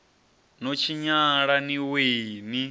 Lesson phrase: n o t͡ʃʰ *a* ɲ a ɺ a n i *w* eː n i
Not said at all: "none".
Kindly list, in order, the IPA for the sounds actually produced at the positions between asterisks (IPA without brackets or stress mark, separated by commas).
i, w